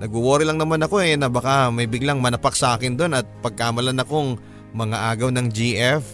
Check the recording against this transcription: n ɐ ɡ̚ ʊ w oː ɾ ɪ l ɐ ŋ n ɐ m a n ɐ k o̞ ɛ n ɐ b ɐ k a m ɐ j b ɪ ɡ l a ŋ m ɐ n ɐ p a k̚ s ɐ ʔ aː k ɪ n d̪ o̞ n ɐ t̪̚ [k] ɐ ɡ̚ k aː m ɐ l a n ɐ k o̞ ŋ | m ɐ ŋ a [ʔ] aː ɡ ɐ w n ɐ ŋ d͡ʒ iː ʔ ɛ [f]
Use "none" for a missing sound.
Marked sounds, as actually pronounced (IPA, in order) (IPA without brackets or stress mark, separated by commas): p, ʔ, f